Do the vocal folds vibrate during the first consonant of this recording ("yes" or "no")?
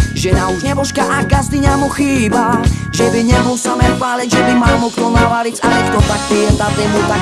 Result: yes